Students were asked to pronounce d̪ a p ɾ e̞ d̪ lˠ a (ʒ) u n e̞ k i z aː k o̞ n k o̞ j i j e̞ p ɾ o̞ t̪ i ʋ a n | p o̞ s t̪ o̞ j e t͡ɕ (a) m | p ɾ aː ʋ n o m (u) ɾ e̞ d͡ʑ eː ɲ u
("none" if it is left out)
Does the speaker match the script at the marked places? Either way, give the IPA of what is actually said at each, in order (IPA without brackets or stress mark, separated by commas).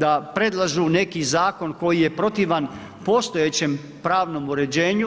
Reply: ʒ, e, u